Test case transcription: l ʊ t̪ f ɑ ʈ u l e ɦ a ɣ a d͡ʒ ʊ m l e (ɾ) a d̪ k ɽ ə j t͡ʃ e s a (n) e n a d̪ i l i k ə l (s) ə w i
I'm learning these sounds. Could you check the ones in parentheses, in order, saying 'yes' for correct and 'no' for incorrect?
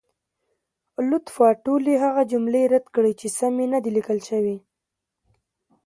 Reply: yes, no, no

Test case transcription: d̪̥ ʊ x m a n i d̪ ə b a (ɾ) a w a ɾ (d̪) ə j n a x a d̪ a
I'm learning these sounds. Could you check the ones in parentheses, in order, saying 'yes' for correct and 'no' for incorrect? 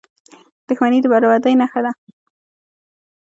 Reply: yes, yes

